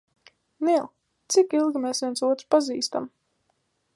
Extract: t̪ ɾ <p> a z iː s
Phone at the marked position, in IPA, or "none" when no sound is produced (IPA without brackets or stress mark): p